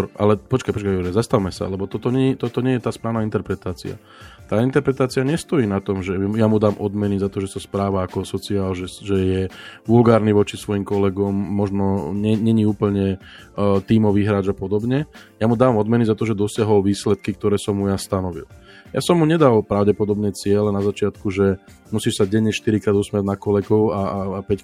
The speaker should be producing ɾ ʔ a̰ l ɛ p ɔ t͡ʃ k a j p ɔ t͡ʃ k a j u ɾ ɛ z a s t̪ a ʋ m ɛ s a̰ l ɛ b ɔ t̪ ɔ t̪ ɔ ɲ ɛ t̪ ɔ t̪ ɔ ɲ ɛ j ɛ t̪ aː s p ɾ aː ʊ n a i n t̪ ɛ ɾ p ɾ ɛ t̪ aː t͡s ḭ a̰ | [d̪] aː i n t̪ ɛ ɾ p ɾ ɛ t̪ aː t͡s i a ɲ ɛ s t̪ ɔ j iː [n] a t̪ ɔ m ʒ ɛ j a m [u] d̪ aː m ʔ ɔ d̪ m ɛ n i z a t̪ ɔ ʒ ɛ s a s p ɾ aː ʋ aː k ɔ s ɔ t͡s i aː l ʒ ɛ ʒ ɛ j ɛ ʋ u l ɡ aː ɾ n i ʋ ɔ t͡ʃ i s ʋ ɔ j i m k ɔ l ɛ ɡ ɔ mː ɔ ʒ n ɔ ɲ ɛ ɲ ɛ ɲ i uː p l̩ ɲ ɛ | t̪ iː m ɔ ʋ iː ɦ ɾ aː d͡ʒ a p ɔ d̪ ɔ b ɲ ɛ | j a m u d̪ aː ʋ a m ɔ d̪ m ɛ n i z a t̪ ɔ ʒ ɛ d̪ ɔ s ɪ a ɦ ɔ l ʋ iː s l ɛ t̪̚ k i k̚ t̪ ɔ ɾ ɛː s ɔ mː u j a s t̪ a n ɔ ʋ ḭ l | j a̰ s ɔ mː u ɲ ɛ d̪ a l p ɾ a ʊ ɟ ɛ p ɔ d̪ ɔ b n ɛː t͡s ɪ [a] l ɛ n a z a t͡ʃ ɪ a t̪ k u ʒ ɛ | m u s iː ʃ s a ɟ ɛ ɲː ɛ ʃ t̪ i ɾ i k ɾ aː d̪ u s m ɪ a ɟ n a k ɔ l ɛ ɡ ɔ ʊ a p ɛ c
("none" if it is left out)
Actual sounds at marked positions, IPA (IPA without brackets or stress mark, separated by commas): t̪, n, u, ɛ